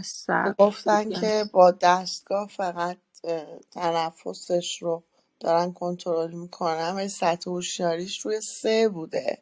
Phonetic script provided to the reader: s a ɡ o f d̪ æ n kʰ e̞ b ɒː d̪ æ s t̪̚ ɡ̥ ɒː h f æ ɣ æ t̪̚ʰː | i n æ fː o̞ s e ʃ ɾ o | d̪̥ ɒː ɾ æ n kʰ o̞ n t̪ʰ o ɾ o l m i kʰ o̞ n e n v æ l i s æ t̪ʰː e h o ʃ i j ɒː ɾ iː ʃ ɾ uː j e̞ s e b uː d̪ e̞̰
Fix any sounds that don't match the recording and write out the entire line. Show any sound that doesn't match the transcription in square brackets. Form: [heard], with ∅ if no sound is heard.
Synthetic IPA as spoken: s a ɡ o f [t̪] æ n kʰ e̞ b ɒː d̪ æ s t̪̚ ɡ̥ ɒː h f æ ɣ æ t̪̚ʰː | [æ] n æ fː o̞ s e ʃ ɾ o | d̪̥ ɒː ɾ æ n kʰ o̞ n t̪ʰ o ɾ o l m i kʰ o̞ n [æ] n v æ l i s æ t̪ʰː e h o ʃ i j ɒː ɾ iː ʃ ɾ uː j e̞ s e b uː d̪ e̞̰